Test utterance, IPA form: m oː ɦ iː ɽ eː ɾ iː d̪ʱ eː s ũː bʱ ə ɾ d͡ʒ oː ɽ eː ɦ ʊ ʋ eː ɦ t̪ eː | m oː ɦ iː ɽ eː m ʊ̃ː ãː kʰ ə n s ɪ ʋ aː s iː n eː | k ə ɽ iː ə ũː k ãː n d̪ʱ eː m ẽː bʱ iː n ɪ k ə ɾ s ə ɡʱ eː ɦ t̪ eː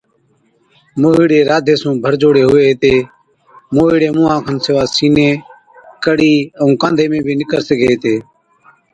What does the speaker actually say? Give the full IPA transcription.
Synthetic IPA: m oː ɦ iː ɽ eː ɾ aː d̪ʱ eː s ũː bʱ ə ɾ d͡ʒ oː ɽ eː ɦ ʊ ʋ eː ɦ t̪ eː | m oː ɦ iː ɽ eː m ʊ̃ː ãː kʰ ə n s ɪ ʋ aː s iː n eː | k ə ɽ iː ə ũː k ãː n d̪ʱ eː m ẽː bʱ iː n ɪ k ə ɾ s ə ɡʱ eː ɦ t̪ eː